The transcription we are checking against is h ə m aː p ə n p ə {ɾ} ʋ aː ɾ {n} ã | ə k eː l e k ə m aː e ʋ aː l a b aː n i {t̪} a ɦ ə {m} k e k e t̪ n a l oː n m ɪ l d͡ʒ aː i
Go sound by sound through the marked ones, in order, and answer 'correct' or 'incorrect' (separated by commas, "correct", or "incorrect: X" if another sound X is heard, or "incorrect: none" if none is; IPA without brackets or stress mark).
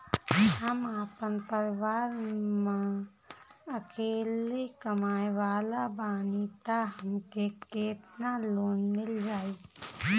correct, incorrect: m, correct, correct